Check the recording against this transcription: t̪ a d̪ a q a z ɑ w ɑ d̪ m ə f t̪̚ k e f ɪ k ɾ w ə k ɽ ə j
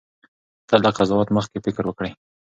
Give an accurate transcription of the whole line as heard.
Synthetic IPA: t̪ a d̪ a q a z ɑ w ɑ t̪ m ə x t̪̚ k e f ɪ k ɾ w ə k ɽ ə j